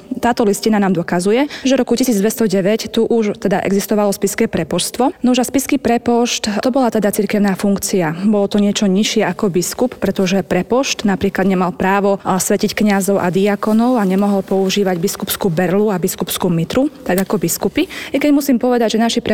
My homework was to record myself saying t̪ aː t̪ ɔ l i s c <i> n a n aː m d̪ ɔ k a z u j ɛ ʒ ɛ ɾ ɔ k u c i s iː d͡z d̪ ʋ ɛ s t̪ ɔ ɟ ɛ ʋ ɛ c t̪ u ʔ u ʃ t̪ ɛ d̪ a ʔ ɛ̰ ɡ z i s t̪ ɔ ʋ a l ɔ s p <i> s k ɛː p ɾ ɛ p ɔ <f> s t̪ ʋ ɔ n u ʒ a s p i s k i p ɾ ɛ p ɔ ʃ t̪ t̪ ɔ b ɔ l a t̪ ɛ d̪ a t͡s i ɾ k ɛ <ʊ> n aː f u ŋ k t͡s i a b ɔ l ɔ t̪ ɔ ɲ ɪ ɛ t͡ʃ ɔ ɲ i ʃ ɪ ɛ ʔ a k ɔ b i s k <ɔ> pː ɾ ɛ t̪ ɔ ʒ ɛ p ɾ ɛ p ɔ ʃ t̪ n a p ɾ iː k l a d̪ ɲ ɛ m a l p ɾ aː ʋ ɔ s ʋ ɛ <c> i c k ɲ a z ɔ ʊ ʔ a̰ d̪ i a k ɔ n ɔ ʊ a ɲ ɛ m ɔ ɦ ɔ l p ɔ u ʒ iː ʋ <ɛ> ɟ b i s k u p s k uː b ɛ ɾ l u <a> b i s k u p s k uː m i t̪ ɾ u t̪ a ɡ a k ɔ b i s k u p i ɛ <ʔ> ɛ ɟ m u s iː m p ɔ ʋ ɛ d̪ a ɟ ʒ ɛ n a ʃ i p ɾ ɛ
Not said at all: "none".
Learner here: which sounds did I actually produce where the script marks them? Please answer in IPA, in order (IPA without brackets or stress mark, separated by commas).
i, i, ʃ, ʊ, u, c, a, a, k